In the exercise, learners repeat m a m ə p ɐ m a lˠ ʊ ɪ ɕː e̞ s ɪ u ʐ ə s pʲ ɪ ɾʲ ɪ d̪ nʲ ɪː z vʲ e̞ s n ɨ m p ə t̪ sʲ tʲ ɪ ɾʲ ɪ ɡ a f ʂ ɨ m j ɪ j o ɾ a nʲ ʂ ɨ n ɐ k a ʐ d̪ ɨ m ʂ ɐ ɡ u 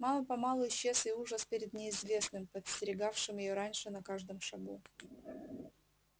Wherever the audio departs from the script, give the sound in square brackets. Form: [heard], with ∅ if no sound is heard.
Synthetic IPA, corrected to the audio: m a m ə p ɐ m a lˠ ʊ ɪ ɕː e̞ s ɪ u ʐ ə s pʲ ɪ ɾʲ ɪ d̪ nʲ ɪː z vʲ e̞ s n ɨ m p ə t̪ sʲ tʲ ɪ ɾʲ ɪ ɡ a f ʂ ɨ m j ɪ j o ɾ a nʲ ʂ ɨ n ɐ k a ʐ d̪ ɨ m ʂ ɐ ɡ u